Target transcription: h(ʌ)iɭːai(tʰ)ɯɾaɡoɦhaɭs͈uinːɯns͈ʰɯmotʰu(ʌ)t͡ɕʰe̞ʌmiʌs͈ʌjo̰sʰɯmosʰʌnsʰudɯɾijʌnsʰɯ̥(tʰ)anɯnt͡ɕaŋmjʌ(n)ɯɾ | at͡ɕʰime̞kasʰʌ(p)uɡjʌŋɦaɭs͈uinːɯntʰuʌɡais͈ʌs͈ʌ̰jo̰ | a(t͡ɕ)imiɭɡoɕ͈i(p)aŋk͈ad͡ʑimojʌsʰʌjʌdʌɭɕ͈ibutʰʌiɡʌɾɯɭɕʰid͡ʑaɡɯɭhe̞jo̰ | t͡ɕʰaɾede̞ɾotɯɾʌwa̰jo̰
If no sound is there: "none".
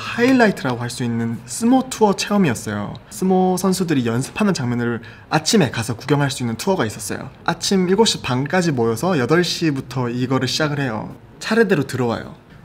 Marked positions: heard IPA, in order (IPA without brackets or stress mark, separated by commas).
a, tʰ, ʌ, pʰ, n, k, t͡ɕʰ, p